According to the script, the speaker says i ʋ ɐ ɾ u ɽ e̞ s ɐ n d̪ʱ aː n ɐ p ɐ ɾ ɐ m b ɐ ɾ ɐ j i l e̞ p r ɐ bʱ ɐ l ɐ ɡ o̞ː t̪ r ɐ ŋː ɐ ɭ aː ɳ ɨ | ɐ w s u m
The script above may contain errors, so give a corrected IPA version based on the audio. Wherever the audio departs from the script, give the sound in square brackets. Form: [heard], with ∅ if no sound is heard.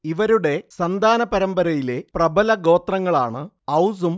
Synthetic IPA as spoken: i ʋ ɐ ɾ u ɽ e̞ s ɐ n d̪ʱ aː n ɐ p ɐ ɾ ɐ m b ɐ ɾ ɐ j i l e̞ p r ɐ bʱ ɐ l ɐ ɡ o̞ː t̪ r ɐ ŋː ɐ ɭ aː ɳ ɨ | ɐ w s u m